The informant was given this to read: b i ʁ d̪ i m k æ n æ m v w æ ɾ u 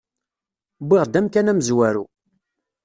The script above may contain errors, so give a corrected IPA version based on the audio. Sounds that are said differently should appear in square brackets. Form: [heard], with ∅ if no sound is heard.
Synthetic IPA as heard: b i ʁ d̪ [æ] m k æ n æ m [z] w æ ɾ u